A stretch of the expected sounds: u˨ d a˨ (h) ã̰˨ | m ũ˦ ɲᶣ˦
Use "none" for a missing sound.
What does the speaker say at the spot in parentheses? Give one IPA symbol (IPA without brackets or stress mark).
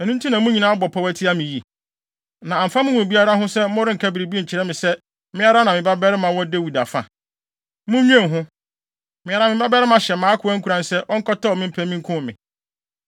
f